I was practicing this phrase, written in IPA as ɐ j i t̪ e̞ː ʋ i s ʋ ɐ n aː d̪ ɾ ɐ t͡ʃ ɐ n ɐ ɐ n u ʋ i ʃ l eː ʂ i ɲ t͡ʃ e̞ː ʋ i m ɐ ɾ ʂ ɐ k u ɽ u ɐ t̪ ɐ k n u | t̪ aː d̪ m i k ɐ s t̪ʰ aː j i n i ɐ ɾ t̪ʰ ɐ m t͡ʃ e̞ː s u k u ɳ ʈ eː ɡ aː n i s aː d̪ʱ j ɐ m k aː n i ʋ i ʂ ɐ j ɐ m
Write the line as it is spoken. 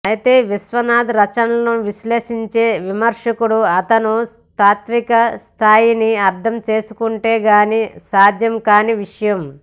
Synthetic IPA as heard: ɐ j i t̪ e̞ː ʋ i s ʋ ɐ n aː d̪ ɾ ɐ t͡ʃ ɐ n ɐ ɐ n u ʋ i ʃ l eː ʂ i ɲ t͡ʃ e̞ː ʋ i m ɐ ɾ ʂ ɐ k u ɽ u ɐ t̪ ɐ n u | t̪ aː t̪ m i k ɐ s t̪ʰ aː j i n i ɐ ɾ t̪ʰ ɐ m t͡ʃ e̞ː s u k u ɳ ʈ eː ɡ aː n i s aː d̪ʱ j ɐ m k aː n i ʋ i ʂ ɐ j ɐ m